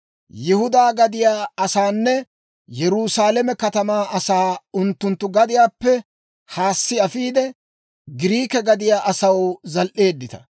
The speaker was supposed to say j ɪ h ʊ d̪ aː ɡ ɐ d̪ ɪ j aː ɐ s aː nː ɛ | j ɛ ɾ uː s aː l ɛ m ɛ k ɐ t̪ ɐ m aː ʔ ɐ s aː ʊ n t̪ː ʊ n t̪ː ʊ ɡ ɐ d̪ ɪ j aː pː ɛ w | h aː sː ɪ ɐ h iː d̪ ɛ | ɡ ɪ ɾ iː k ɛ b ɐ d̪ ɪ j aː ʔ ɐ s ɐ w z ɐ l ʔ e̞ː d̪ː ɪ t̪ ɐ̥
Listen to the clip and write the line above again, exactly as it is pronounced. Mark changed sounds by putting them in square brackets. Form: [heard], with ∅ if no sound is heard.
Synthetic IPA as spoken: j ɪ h ʊ d̪ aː ɡ ɐ d̪ ɪ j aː ɐ s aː nː ɛ | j ɛ ɾ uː s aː l ɛ m ɛ k ɐ t̪ ɐ m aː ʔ ɐ s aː ʊ n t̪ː ʊ n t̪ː ʊ ɡ ɐ d̪ ɪ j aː pː ɛ [∅] | h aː sː ɪ ɐ [f] iː d̪ ɛ | ɡ ɪ ɾ iː k ɛ [ɡ] ɐ d̪ ɪ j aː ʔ ɐ s ɐ w z ɐ l ʔ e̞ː d̪ː ɪ t̪ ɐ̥